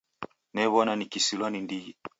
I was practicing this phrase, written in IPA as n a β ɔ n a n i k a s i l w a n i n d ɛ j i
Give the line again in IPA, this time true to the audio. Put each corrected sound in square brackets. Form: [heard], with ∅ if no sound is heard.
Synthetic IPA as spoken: n [ɛ] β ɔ n a n i k [i] s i l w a n i n d [i] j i

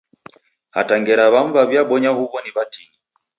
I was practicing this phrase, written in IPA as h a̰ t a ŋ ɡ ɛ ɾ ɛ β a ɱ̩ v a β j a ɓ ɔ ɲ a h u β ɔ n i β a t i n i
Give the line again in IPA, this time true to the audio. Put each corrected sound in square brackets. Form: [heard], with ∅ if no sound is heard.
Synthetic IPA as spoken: h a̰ t a ŋ ɡ ɛ ɾ [a] β a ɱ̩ v a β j a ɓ ɔ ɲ a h u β ɔ n i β a t i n i

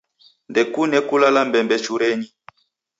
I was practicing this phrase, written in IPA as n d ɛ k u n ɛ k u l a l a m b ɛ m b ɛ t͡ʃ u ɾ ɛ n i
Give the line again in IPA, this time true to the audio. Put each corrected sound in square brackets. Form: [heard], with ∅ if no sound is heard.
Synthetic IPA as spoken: n d ɛ k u n ɛ k u l a l a m b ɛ m b ɛ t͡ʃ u ɾ ɛ [ɲ] i

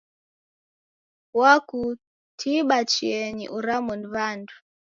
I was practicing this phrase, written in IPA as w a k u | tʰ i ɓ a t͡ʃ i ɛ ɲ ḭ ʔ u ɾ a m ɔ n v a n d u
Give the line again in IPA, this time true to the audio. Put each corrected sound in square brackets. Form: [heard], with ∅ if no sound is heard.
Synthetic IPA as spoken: w a k u | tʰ i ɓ a t͡ʃ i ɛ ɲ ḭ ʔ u ɾ a m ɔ n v a n d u

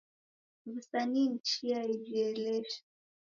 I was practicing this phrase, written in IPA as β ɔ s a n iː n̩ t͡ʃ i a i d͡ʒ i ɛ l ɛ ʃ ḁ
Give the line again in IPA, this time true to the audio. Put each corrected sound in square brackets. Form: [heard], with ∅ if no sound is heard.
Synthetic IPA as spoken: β [u] s a n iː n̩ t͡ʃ i a i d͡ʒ i ɛ l ɛ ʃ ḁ

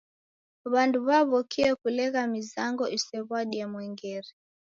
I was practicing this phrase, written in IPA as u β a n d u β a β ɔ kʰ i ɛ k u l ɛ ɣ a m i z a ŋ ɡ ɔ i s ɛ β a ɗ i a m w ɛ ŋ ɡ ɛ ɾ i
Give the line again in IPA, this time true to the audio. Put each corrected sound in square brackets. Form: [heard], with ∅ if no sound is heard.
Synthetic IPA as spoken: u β a n d u β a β ɔ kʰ i ɛ k u l ɛ ɣ a m i z a ŋ ɡ ɔ i s ɛ β a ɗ i a m w ɛ ŋ ɡ ɛ ɾ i

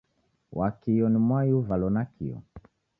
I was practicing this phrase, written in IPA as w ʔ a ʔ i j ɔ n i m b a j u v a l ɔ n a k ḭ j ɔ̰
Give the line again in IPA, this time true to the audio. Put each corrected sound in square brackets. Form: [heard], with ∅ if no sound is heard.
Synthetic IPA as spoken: w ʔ a [k] i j ɔ n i m [w] a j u v a l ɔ n a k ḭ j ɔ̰

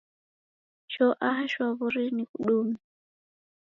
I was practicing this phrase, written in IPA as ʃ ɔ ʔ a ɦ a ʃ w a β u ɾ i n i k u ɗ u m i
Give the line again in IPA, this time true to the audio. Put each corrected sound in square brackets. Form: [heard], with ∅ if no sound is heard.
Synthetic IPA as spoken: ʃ ɔ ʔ a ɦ a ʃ w a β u ɾ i n i k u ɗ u m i

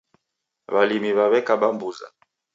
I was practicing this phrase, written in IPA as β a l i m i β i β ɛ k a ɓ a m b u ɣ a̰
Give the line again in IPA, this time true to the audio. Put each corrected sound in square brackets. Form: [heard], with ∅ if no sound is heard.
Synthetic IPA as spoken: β a l i m i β [a] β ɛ k a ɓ a m b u [z] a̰

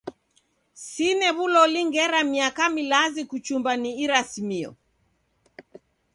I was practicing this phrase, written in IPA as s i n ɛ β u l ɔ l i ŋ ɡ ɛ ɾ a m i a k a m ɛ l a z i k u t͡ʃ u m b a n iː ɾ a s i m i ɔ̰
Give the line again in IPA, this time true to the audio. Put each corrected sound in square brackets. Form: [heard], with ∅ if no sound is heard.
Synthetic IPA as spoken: s i n ɛ β u l ɔ l i ŋ ɡ ɛ ɾ a m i a k a m [i] l a z i k u t͡ʃ u m b a n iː ɾ a s i m i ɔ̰

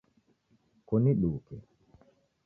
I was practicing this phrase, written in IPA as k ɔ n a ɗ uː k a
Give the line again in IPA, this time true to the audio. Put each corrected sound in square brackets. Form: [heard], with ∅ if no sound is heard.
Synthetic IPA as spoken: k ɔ n [i] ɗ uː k [ɛ]

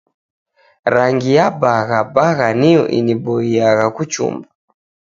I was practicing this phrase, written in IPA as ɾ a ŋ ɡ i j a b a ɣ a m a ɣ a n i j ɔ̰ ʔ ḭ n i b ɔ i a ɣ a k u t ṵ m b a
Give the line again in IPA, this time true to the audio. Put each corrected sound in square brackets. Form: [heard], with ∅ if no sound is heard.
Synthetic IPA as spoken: ɾ a ŋ ɡ i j a b a ɣ a [b] a ɣ a n i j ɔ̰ ʔ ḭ n i b ɔ i a ɣ a k u [t͡ʃ] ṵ m b a

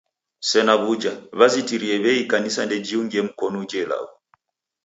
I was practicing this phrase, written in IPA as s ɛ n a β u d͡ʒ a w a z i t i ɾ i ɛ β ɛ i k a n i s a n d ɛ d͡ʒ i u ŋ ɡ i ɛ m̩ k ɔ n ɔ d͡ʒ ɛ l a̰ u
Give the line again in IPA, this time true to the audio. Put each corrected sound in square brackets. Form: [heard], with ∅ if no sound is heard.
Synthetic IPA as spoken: s ɛ n a β u d͡ʒ a [β] a z i t i ɾ i ɛ β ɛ i k a n i s a n d ɛ d͡ʒ i u ŋ ɡ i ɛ m̩ k ɔ n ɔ d͡ʒ ɛ l a̰ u

